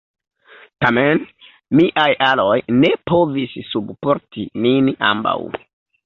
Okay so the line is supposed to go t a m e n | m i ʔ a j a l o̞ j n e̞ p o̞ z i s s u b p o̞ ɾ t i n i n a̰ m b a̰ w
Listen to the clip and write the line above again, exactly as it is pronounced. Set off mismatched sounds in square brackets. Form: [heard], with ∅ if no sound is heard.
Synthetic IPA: t a m e n | m i ʔ a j a l o̞ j n e̞ p o̞ [v] i s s u b p o̞ ɾ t i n i n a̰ m b a̰ w